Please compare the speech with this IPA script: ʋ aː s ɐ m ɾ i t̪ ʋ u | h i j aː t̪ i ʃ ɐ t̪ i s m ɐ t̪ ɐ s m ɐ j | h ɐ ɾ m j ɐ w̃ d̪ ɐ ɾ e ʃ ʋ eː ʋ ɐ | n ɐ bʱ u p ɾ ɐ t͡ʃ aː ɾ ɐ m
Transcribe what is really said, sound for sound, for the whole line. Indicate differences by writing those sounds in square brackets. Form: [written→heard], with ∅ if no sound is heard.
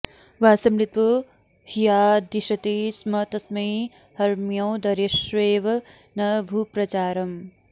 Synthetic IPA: ʋ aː s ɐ m ɾ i t̪ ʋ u | h i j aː [t̪→d̪] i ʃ ɐ t̪ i s m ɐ t̪ ɐ s m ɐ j | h ɐ ɾ m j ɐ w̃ d̪ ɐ ɾ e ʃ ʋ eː ʋ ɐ | n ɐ bʱ u p ɾ ɐ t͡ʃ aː ɾ ɐ m